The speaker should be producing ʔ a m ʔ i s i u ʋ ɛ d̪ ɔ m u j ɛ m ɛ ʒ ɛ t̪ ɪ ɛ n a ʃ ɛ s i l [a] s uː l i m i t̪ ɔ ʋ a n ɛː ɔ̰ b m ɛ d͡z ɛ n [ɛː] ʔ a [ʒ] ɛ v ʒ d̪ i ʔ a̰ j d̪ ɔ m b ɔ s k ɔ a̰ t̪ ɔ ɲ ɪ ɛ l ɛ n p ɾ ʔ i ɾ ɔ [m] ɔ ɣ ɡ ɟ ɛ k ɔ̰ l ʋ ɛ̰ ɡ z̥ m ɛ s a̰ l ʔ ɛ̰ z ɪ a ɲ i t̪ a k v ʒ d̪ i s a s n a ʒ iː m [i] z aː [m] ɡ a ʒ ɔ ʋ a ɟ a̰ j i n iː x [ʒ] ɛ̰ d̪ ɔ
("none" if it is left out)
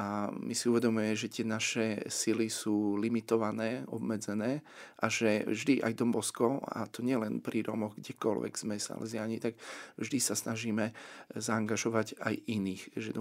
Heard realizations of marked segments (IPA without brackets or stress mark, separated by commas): i, ɛː, ʒ, m, ɛ, ŋ, ʒ